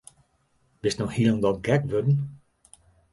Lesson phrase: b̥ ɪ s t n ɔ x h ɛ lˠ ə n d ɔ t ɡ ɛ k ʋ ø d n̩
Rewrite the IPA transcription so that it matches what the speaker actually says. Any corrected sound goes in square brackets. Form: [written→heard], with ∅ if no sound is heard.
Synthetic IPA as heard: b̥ ɪ s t n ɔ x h [ɛ→i] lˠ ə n d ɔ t ɡ ɛ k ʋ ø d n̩